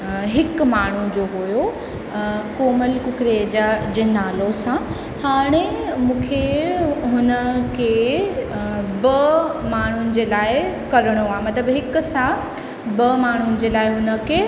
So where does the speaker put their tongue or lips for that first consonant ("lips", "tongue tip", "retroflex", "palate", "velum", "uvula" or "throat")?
throat